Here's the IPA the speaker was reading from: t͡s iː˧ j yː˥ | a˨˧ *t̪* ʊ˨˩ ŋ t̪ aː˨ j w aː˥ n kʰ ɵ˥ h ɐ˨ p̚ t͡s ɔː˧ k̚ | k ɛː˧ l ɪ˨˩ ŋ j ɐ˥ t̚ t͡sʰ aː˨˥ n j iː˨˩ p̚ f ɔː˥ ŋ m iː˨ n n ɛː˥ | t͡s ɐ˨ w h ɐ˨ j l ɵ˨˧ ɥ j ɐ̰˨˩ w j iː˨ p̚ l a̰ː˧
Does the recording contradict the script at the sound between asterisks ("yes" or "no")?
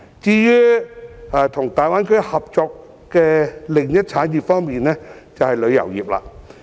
yes